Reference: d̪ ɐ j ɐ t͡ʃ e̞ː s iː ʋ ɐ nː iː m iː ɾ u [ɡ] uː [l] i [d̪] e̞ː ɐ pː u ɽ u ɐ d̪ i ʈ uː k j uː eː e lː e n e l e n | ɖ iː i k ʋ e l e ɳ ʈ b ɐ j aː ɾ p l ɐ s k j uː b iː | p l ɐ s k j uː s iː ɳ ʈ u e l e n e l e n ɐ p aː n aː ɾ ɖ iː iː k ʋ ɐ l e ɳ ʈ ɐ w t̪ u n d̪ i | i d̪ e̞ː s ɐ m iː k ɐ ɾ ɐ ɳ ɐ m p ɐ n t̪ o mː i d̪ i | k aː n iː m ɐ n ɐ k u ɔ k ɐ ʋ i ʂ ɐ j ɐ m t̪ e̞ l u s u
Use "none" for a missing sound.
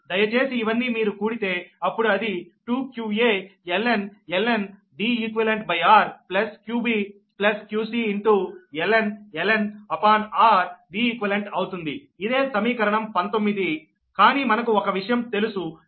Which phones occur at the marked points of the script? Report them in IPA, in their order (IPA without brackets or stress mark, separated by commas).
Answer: k, ɽ, t̪